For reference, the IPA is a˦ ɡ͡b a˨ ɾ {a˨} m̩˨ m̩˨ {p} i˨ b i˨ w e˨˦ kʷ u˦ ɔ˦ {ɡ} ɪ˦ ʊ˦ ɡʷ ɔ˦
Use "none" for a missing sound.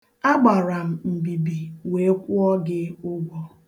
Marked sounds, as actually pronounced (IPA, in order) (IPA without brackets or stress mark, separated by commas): a˨, b, ɡ